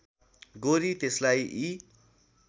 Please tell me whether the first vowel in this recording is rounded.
yes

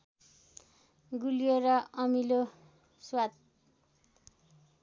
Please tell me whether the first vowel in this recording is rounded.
yes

